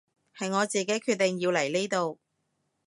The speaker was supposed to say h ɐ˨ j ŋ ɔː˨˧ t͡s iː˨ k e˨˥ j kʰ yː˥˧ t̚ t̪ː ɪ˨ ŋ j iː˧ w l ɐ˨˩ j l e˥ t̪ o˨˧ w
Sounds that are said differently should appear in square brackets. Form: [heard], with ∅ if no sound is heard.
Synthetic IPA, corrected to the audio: h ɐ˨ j ŋ ɔː˨˧ t͡s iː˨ k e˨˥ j kʰ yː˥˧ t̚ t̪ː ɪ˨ ŋ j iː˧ w l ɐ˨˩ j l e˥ t̪ o˨˧ w